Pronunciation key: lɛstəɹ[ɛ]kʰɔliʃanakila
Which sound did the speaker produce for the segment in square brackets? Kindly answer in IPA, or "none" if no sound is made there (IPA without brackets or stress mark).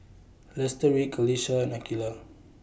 i